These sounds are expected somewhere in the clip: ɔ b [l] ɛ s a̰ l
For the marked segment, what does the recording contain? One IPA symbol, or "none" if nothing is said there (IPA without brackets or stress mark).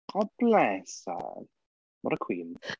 l